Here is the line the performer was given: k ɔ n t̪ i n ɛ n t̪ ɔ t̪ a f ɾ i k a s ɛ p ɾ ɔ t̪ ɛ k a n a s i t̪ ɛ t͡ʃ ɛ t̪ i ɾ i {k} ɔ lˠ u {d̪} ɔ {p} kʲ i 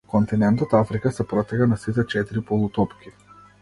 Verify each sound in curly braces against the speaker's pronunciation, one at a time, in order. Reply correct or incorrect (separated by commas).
incorrect, incorrect, correct